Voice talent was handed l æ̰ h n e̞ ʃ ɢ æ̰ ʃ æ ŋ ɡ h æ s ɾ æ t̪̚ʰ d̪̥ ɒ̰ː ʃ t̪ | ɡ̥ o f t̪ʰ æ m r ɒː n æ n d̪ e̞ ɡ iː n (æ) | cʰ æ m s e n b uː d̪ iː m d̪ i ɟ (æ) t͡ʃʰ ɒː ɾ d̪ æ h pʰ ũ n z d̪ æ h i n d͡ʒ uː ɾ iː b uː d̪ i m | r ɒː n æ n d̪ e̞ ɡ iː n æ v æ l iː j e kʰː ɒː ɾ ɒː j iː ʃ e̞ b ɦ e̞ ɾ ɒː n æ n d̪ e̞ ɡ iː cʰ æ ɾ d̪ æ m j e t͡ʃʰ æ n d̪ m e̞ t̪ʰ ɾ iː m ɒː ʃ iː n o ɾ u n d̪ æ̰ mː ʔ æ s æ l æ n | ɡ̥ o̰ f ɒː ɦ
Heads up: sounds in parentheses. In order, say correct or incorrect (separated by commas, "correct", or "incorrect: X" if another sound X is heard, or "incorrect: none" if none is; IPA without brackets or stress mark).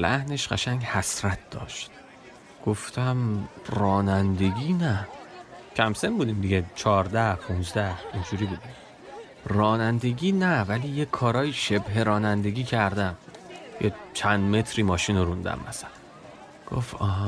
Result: correct, incorrect: e